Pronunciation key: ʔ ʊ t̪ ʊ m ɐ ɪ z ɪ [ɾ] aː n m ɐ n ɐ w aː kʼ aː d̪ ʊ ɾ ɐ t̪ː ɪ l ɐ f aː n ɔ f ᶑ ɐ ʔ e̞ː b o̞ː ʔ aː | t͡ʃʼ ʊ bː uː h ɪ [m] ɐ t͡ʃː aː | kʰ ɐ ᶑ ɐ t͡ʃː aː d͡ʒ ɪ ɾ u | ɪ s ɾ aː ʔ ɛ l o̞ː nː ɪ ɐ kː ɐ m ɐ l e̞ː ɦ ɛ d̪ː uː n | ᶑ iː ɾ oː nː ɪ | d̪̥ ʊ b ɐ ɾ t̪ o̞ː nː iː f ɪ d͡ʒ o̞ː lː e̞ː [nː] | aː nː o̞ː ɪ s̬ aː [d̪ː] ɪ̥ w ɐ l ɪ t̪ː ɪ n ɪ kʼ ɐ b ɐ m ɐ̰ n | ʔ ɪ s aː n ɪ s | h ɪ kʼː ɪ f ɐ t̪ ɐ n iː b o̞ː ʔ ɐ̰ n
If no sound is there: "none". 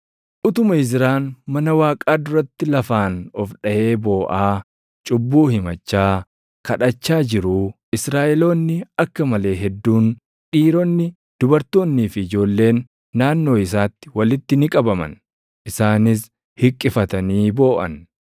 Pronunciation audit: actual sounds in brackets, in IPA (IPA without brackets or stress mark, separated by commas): ɾ, m, nː, t̪ː